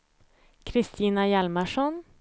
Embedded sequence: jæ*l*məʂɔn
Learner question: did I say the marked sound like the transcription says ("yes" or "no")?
yes